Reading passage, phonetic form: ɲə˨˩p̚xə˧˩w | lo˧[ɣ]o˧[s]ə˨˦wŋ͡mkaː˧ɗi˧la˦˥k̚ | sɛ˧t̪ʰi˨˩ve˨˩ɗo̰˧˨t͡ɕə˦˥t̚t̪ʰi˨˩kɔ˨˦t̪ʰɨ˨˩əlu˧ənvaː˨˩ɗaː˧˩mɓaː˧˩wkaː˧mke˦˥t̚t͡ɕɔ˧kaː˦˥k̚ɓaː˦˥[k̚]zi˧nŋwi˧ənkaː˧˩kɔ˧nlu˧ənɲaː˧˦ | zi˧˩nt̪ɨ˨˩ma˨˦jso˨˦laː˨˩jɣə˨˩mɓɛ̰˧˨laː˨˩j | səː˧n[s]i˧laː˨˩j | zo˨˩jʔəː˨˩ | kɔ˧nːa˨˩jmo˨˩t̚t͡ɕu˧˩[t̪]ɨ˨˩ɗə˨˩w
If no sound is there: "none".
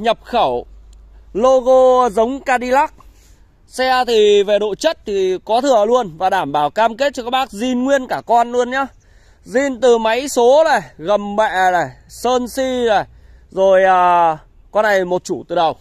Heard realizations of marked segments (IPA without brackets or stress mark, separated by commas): ɣ, z, k̚, s, t̪